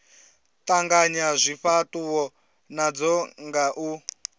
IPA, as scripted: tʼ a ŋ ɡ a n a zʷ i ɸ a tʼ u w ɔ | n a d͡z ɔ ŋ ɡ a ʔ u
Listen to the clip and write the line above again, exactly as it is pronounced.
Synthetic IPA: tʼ a ŋ ɡ a ɲ a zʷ i ɸ a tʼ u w ɔ | n a d͡z ɔ ŋ ɡ a ʔ u

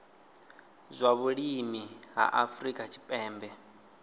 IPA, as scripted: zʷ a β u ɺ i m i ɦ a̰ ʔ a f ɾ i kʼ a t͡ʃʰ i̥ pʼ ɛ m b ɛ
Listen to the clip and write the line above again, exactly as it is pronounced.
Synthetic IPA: zʷ a β u ɺ i m i ɦ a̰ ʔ a f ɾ i kʼ a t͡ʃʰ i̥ pʼ ɛː m b ɛ

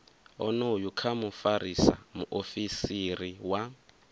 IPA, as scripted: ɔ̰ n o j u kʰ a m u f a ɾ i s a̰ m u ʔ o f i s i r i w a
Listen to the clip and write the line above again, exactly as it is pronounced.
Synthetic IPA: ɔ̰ n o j u kʰ a m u f a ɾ i s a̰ m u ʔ o f i s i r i w a

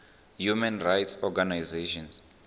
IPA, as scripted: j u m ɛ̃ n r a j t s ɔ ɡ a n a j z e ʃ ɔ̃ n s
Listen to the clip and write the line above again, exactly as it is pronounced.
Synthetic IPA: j u m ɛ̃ n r a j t s ɔ ɡ a n a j z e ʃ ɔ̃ n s

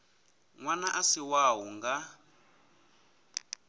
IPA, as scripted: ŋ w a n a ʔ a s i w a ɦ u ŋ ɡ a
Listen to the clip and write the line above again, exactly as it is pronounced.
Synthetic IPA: ŋ w a n a ʔ a s i w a ɦ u ŋ ɡ a

